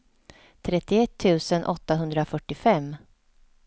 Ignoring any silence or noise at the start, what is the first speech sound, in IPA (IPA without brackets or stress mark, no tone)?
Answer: t̪ʰ